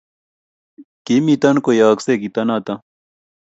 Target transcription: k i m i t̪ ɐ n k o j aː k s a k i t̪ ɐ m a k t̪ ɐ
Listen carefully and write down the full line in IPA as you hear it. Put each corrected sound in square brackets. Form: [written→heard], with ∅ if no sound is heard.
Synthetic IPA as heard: k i m i t̪ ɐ n k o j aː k s [a→e] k i t̪ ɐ [m→n] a [k→∅] t̪ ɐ